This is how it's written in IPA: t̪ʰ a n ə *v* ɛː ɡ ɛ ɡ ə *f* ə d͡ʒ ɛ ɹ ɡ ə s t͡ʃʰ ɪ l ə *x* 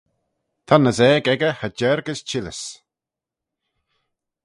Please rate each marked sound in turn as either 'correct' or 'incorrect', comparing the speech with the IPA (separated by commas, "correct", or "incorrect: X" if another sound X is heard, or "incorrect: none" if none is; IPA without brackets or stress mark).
incorrect: z, incorrect: h, incorrect: s